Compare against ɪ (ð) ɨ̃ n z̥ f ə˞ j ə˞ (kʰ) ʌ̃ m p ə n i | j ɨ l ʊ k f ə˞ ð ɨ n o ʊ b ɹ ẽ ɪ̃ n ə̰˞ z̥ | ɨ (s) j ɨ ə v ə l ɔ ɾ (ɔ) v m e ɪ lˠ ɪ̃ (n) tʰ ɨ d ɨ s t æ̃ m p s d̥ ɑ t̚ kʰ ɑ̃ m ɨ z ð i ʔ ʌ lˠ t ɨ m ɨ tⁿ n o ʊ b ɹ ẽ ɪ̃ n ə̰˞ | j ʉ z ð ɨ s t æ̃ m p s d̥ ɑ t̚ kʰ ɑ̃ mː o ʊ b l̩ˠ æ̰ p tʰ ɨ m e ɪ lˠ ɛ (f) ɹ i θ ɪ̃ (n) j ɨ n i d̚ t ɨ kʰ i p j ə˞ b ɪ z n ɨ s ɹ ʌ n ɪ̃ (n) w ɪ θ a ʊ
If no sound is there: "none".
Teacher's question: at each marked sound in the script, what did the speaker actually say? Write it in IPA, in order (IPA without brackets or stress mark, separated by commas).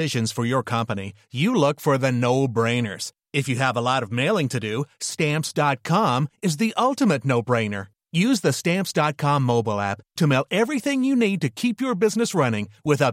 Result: ʒ, kʰ, f, ʌ, ŋ, v, ŋ, ŋ